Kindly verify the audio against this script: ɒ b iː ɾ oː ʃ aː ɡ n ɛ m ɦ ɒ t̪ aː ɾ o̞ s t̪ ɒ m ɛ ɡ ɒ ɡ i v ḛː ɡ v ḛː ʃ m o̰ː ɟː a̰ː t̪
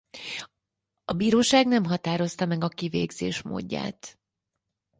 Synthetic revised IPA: ɒ b iː ɾ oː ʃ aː ɡ n ɛ m ɦ ɒ t̪ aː ɾ o̞ s t̪ ɒ m ɛ ɡ ɒ k i v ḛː ɡ z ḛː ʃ m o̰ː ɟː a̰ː t̪